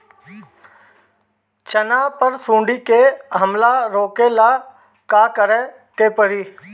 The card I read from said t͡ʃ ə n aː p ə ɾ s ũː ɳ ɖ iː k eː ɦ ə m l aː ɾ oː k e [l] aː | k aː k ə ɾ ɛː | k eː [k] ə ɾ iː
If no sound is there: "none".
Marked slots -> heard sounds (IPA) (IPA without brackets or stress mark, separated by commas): l, p